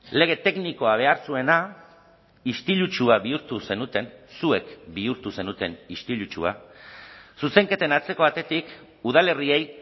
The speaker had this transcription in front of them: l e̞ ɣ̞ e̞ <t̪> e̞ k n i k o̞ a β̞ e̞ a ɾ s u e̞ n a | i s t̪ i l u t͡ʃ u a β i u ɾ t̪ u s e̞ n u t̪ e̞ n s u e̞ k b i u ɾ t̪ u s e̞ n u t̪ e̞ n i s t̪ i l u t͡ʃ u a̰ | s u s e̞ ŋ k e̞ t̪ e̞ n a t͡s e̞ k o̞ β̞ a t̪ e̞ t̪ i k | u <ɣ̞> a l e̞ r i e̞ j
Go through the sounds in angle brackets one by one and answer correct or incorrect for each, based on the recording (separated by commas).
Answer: correct, incorrect